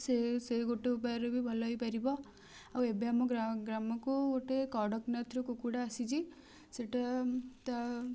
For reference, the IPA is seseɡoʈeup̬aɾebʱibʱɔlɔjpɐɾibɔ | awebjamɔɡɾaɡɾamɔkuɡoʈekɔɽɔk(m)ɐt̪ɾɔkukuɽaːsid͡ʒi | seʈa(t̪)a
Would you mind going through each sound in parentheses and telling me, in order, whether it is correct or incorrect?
incorrect: n, correct

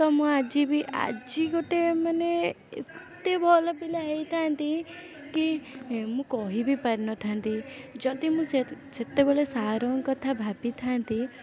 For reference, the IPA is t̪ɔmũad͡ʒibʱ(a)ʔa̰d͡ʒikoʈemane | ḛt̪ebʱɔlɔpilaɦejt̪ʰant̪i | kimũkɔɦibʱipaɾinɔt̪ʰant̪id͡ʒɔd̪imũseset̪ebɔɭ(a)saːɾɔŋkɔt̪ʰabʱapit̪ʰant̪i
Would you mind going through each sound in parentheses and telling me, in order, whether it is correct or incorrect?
incorrect: i, incorrect: e

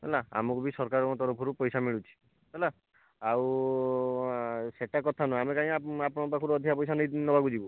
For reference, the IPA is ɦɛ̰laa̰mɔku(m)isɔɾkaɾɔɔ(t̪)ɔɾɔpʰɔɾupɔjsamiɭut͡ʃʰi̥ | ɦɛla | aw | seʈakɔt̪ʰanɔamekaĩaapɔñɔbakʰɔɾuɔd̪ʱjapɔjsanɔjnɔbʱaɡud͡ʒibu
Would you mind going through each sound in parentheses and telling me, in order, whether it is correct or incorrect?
incorrect: b, correct

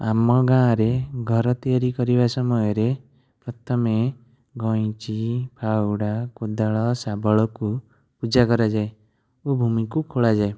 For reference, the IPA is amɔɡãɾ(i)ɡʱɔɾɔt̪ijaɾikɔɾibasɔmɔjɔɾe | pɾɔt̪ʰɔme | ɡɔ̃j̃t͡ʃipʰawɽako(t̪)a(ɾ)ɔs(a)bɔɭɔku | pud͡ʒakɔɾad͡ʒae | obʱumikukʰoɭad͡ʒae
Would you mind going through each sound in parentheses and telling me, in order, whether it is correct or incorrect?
incorrect: e, incorrect: d̪, incorrect: ɭ, correct

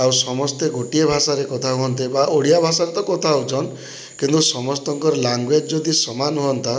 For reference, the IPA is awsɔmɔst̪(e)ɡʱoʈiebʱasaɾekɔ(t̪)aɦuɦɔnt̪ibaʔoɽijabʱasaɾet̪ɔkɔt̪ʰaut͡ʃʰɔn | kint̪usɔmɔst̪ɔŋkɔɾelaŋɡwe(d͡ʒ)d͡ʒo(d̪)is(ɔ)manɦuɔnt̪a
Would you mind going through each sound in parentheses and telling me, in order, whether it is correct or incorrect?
correct, incorrect: t̪ʰ, correct, correct, correct

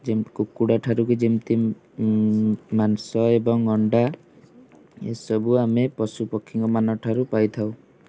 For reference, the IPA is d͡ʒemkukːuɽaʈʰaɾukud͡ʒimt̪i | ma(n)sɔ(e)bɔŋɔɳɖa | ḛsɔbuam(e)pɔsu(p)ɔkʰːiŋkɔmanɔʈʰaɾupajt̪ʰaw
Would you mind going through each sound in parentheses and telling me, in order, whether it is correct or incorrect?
correct, correct, correct, correct

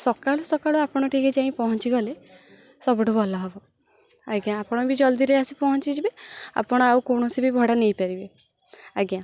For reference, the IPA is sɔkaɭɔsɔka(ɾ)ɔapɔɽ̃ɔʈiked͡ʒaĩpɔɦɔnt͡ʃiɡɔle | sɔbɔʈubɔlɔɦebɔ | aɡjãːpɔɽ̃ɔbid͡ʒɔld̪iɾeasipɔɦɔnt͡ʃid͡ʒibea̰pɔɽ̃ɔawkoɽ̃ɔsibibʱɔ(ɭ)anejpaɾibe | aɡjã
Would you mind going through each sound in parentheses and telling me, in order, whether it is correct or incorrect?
incorrect: ɭ, incorrect: ɽ

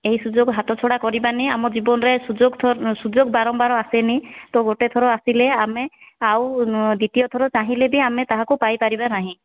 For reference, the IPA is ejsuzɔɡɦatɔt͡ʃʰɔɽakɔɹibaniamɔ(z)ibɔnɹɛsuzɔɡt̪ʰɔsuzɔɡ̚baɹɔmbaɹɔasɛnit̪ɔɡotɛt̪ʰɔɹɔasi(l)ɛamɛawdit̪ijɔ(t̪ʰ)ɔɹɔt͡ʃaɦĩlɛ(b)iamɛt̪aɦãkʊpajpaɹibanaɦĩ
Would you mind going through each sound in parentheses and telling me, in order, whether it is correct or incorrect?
correct, correct, correct, correct

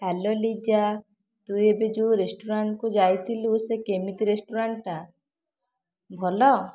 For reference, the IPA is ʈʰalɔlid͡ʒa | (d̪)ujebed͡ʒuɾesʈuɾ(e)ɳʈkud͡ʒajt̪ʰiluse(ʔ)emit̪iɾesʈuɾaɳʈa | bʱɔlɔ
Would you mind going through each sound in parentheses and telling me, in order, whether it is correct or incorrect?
incorrect: t̪, incorrect: a, incorrect: k

